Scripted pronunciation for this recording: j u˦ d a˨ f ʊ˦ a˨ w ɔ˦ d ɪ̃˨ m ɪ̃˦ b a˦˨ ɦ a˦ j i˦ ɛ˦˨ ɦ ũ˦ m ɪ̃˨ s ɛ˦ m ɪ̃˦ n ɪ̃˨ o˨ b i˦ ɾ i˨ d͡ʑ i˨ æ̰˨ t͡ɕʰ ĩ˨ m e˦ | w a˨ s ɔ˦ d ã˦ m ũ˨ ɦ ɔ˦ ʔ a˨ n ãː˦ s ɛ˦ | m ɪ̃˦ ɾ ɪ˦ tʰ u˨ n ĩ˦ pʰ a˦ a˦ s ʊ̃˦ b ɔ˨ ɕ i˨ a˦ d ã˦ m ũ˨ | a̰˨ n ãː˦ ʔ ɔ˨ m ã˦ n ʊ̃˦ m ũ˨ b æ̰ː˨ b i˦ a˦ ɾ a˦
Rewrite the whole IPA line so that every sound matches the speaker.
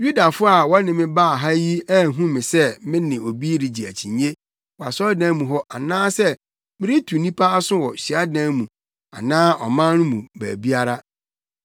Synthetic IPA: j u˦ d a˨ f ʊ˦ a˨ w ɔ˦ n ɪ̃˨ m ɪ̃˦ b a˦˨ ɦ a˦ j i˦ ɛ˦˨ ɦ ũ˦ m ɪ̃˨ s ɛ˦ m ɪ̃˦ n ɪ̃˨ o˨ b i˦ ɾ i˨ d͡ʑ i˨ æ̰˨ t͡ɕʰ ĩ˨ ɲ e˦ | w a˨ s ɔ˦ d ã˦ m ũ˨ ɦ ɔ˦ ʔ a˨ n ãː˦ s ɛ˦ | m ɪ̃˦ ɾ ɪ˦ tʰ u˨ n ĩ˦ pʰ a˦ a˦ s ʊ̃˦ w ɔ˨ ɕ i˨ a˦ d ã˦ m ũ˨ | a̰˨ n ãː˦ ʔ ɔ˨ m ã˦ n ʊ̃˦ m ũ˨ b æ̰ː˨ b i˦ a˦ ɾ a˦